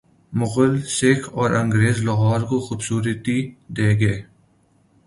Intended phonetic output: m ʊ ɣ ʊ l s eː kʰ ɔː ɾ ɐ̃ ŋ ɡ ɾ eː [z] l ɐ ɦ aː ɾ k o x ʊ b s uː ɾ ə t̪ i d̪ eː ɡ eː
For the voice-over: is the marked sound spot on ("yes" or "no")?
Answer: yes